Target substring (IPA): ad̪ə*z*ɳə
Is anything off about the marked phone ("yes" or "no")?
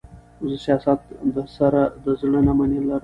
no